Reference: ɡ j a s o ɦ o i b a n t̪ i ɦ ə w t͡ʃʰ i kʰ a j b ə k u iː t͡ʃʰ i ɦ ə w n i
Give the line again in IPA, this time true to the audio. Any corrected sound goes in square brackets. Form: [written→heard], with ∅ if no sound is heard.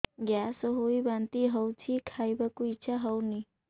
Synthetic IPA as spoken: ɡ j a s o ɦ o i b a n t̪ i ɦ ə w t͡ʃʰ i kʰ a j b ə k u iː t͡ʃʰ [i→a] ɦ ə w n i